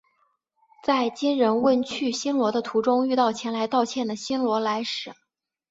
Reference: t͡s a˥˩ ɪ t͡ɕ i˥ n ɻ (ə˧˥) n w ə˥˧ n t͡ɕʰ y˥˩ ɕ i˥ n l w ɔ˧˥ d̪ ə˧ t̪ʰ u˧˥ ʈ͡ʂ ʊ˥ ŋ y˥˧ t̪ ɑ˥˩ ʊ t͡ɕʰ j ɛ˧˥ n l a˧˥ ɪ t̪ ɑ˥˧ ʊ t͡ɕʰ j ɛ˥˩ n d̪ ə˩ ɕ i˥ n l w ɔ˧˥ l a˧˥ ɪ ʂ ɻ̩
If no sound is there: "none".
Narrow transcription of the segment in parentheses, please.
ə˧˥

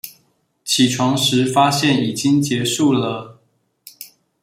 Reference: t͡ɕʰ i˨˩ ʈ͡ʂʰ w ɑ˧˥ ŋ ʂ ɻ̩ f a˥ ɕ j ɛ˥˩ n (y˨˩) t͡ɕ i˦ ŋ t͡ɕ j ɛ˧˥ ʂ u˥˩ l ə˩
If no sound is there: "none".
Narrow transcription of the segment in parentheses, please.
i˨˩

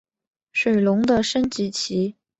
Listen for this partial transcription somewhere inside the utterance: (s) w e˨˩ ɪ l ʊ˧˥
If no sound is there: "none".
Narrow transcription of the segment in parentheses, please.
ʂ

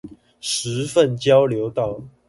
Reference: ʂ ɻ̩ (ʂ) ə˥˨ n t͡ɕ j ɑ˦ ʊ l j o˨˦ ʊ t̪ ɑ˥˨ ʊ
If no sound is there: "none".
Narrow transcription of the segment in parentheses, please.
f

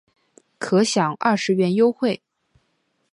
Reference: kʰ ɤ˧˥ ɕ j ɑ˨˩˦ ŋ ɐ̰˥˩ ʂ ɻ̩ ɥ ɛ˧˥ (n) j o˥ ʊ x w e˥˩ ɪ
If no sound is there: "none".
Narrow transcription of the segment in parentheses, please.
n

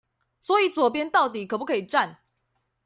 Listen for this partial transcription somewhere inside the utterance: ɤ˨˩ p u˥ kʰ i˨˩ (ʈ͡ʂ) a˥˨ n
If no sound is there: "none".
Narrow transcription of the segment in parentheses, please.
ʈ͡ʂ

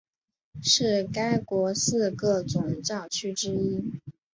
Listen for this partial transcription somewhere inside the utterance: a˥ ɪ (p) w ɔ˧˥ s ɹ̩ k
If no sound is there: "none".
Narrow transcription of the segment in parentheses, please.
k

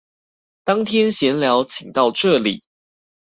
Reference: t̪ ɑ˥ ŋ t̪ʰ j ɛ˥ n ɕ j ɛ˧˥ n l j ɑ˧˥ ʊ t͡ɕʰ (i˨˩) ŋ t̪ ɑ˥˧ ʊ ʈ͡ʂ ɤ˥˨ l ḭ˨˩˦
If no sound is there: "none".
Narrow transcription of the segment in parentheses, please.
i˨˩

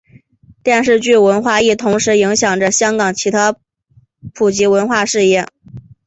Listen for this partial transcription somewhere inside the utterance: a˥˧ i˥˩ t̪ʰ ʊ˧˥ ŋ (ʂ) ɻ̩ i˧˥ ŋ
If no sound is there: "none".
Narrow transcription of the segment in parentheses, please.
ʂ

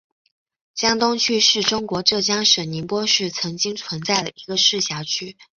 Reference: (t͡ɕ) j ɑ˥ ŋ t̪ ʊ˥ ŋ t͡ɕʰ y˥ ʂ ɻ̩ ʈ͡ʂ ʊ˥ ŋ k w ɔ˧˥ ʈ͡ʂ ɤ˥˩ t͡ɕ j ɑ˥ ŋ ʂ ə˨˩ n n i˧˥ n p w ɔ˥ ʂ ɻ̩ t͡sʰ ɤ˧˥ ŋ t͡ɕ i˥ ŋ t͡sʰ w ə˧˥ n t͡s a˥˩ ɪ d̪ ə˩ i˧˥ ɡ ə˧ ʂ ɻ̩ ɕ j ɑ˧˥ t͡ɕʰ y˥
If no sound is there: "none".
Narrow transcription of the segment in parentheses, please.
t͡ɕ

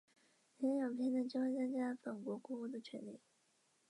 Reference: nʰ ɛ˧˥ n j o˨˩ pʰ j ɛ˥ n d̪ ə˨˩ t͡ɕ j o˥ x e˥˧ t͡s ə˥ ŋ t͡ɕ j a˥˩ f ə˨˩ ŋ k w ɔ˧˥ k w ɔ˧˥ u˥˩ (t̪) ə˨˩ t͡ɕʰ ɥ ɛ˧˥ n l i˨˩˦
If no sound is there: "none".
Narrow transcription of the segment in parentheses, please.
d̪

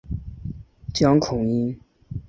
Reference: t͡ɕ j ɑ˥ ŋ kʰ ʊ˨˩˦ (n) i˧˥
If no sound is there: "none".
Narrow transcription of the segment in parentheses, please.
ŋ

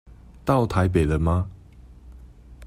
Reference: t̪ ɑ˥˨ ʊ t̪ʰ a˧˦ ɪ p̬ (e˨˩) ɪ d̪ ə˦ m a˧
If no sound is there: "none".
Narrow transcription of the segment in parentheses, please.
e˨˩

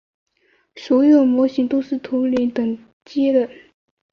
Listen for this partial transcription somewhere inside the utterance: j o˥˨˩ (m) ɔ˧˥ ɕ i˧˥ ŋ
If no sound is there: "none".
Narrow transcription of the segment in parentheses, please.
m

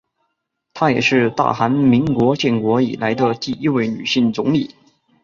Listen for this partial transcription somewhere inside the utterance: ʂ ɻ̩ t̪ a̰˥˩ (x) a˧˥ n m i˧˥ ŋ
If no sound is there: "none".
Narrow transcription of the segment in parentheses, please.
x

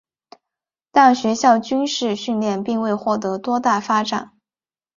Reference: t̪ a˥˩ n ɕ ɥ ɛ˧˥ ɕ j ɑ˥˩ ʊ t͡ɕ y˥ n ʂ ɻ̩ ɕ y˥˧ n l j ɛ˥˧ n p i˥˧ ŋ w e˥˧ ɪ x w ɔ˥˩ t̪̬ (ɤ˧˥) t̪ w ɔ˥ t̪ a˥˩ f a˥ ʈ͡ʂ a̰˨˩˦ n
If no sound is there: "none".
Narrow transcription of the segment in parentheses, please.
ɤ˧˥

